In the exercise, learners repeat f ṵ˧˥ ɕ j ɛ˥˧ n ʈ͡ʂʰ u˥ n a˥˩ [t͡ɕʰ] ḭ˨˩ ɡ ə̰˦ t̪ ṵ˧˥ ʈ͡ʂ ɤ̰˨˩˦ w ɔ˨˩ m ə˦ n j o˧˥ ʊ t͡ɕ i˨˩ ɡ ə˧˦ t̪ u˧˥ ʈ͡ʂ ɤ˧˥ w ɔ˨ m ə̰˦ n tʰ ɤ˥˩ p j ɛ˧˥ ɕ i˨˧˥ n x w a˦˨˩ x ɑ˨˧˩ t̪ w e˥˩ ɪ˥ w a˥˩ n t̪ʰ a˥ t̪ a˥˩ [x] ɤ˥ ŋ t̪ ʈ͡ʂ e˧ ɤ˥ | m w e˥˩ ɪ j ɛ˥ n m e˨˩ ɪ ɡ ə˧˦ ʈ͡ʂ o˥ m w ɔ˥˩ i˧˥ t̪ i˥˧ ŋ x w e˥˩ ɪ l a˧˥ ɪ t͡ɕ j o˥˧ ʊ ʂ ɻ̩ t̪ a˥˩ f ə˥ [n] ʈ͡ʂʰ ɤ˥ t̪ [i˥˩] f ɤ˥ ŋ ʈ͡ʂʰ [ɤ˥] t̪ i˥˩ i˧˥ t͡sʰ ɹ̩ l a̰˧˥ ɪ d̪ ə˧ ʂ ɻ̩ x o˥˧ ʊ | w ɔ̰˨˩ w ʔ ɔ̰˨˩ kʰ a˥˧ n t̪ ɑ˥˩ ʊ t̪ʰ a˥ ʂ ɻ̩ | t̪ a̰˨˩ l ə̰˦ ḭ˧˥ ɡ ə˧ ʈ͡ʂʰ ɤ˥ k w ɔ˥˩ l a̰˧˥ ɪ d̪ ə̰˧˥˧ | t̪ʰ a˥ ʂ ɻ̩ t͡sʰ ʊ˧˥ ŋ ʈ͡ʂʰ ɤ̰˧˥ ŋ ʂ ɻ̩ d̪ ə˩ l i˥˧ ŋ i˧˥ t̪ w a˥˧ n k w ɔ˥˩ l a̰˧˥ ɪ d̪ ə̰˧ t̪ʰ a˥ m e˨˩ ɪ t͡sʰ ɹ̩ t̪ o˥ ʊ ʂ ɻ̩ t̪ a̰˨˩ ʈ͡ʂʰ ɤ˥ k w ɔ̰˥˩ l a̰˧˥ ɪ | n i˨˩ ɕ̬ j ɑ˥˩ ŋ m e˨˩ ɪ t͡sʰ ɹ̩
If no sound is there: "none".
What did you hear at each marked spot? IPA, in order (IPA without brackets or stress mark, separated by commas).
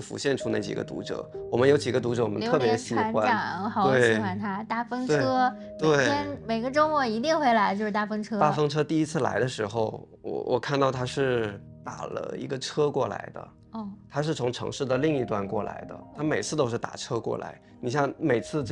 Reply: t͡ɕ, f, ŋ, a˥˩, ɤ˥